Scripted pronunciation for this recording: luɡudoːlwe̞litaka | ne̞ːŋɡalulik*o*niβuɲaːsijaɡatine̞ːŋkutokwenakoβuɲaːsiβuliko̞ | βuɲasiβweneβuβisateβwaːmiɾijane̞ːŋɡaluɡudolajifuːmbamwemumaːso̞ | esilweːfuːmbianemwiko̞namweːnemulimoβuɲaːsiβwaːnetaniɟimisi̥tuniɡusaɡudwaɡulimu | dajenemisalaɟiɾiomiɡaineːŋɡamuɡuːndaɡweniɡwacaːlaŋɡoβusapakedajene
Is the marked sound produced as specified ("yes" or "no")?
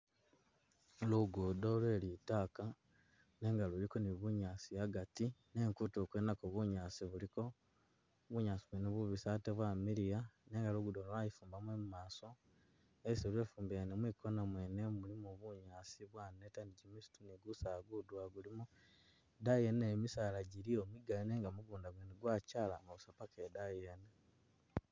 yes